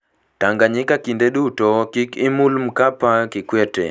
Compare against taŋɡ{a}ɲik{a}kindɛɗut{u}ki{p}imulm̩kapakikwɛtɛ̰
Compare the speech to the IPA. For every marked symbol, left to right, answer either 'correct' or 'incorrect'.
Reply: correct, correct, incorrect, incorrect

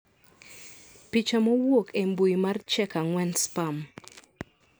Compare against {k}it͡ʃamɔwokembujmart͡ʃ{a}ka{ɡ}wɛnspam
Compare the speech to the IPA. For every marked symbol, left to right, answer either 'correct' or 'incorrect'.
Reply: incorrect, incorrect, incorrect

